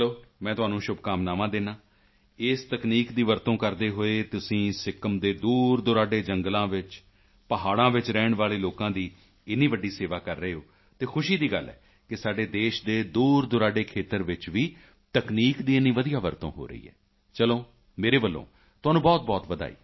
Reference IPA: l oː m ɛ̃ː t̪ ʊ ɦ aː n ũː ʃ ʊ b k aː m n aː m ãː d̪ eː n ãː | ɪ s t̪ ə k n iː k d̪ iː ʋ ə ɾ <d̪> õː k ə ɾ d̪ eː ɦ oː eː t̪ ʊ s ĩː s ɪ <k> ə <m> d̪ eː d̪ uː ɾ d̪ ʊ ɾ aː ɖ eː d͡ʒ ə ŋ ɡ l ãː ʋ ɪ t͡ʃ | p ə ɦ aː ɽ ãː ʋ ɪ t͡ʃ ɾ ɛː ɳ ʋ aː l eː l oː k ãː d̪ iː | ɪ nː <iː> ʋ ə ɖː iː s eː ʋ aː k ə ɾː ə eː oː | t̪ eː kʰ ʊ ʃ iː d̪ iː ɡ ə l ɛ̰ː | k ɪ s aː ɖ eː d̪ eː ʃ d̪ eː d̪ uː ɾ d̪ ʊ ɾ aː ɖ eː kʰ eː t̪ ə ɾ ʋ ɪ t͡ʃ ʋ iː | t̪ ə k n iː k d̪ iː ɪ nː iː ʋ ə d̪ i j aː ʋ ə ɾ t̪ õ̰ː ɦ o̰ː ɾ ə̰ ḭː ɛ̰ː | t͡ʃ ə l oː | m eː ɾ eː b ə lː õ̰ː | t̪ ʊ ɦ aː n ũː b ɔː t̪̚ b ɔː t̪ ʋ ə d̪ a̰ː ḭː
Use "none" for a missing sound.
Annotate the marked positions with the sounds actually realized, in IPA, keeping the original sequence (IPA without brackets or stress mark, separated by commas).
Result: t̪, k, m, iː